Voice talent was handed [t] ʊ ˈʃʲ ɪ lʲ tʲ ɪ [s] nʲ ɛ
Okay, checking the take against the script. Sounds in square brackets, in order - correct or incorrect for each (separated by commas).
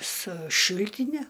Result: incorrect, incorrect